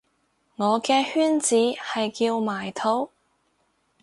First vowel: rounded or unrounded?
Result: rounded